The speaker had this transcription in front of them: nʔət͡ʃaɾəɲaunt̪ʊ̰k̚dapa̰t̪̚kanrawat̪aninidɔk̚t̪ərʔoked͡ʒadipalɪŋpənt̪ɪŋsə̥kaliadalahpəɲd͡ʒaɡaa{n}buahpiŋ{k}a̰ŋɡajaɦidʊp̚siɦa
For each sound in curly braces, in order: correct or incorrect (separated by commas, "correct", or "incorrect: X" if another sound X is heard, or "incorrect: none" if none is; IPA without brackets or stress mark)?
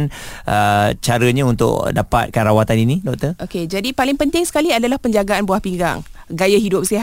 correct, incorrect: ɡ